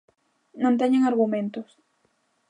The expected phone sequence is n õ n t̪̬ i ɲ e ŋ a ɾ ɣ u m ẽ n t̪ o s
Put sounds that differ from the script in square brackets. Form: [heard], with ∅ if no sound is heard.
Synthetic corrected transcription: n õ n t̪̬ [e] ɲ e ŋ a ɾ ɣ u m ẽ n t̪ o s

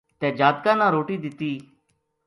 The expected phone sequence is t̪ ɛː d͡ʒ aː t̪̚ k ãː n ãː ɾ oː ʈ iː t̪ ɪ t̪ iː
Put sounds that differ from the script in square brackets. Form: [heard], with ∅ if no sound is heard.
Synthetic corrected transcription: t̪ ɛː d͡ʒ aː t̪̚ k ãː n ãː ɾ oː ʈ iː [d̪] ɪ t̪ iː

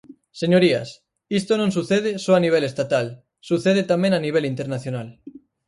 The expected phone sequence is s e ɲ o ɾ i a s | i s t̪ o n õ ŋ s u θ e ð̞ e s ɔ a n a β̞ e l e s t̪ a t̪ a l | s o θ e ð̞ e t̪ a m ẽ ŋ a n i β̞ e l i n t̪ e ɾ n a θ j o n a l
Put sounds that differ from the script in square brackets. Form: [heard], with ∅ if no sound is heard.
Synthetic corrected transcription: s e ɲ o ɾ i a s | i s t̪ o n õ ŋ s u θ e ð̞ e s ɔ a n [i] β̞ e l e s t̪ a t̪ a l | s [u] θ e ð̞ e t̪ a m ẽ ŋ a n i β̞ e l i n t̪ e ɾ n a θ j o n a l

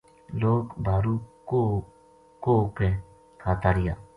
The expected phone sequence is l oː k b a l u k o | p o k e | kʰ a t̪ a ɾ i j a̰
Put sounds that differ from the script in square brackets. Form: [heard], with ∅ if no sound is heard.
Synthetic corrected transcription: l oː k b a [ɾ] u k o | [k] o k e | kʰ a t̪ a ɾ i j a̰

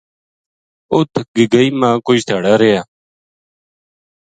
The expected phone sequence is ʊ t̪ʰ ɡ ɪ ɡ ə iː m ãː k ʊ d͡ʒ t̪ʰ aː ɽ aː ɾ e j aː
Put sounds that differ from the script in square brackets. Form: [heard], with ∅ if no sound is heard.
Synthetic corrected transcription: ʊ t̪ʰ ɡ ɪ ɡ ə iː m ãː k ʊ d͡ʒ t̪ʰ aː ɽ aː ɾ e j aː

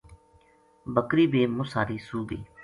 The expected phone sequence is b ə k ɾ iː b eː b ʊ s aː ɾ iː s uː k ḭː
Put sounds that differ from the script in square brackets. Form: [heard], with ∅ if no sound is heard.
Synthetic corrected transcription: b ə k ɾ iː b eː [m] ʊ s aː ɾ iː s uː [ɡ] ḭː

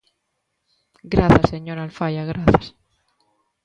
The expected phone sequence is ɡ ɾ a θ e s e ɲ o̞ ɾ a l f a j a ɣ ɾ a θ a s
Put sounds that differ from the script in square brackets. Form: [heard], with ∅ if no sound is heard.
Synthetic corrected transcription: ɡ ɾ a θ [a] s e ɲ o̞ ɾ a l f a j a ɣ ɾ a θ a s

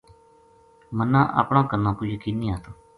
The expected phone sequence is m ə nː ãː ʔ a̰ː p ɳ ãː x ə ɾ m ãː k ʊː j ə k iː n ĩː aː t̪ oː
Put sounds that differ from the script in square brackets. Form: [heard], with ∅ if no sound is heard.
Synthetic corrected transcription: m ə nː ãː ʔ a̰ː p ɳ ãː [k] ə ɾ [n] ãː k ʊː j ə k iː n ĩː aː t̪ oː

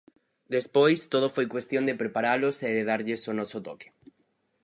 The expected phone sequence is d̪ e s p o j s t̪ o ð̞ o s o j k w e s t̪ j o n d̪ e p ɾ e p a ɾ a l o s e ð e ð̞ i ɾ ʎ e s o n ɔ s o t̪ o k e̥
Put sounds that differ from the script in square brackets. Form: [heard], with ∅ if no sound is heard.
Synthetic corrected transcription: d̪ e s p o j s t̪ o ð̞ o [f] o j k w e s t̪ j o n d̪ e p ɾ e p a ɾ a l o s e ð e ð̞ [a] ɾ ʎ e s o n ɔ s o t̪ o k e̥

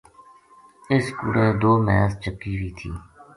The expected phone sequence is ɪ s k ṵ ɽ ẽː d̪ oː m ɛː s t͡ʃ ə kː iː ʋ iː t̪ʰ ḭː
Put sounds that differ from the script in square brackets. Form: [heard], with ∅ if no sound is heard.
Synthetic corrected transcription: ɪ s k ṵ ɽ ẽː d̪ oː m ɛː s t͡ʃ ə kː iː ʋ iː t̪ʰ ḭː

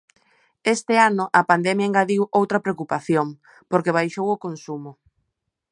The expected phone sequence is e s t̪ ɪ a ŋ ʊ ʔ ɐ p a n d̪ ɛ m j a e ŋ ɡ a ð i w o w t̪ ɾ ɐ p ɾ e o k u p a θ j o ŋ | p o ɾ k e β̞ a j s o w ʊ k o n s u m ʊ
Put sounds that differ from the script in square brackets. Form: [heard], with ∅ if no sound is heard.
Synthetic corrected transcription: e s t̪ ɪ a [n] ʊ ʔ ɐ p a n d̪ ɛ m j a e ŋ ɡ a ð i w o w t̪ ɾ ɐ p ɾ e o k u p a θ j o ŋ | p o ɾ k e β̞ a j [ʃ] o w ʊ k o n s u m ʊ

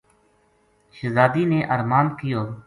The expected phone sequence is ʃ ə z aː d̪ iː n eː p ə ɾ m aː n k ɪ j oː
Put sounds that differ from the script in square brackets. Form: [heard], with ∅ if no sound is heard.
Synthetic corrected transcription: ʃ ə z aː d̪ iː n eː [ʔ] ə ɾ m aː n k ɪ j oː

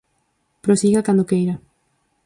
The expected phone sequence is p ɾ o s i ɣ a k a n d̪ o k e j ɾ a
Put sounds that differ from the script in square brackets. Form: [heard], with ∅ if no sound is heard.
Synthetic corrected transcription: p ɾ o s i ɣ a k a n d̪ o k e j ɾ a

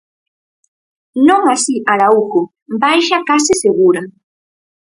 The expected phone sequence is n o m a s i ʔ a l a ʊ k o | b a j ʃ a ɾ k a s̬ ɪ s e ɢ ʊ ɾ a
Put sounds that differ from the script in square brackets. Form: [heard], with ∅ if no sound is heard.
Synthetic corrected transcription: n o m a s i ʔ a [ɾ] a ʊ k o | b a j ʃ a [∅] k a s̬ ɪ s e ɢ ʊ ɾ a

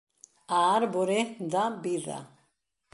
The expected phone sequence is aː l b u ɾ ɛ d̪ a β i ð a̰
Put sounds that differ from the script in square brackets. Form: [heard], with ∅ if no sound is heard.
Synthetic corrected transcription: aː [ɾ] b [ɔ] ɾ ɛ d̪ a [b] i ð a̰

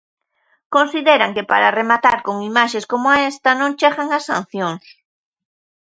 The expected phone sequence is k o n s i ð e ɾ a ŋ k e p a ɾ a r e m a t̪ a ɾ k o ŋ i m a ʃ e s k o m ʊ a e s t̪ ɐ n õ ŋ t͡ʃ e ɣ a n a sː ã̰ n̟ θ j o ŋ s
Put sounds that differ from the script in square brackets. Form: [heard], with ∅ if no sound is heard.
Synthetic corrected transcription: k o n s i ð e ɾ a ŋ k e p a ɾ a r e m a t̪ a ɾ k o ŋ i m a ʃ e s k o m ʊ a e s t̪ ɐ n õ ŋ t͡ʃ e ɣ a [ŋ] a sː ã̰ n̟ θ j o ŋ s

